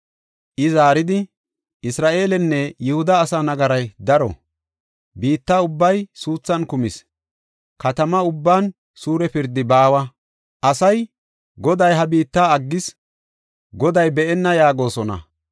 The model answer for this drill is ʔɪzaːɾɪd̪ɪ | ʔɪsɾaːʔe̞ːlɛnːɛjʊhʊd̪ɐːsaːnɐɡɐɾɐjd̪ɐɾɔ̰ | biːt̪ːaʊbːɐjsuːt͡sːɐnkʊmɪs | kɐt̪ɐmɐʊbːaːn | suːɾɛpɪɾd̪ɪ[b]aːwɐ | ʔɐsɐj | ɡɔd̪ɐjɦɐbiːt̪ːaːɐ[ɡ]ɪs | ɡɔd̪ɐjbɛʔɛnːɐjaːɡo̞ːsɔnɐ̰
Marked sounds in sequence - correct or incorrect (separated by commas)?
correct, incorrect